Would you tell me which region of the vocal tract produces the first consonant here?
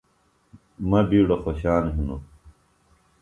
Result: lips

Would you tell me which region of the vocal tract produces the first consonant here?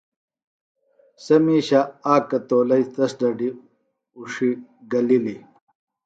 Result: tongue tip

